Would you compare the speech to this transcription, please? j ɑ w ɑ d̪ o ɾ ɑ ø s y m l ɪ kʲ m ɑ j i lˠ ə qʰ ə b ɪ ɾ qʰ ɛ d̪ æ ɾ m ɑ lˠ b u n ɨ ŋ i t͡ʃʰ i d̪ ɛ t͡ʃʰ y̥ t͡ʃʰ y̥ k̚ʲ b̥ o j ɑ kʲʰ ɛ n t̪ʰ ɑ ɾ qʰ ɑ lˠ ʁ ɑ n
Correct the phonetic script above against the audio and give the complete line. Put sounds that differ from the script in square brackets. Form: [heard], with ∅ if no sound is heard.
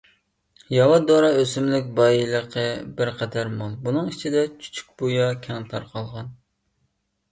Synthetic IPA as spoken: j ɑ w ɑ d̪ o ɾ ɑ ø s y m l ɪ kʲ [b] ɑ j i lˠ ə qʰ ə b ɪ ɾ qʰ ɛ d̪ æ ɾ m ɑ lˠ b u n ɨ ŋ i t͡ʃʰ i d̪ ɛ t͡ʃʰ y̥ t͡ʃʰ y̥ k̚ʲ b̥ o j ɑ kʲʰ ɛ [ŋ] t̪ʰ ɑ ɾ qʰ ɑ lˠ ʁ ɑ n